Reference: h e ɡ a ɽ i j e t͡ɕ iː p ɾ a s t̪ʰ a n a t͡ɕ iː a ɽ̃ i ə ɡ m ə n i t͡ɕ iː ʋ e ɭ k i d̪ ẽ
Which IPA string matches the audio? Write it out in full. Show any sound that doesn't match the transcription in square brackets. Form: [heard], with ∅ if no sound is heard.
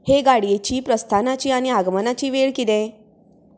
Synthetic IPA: h e ɡ a ɽ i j e t͡ɕ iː p ɾ [ə] s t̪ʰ a n a t͡ɕ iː a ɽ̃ i [a] ɡ m ə n [a] t͡ɕ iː ʋ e ɭ k i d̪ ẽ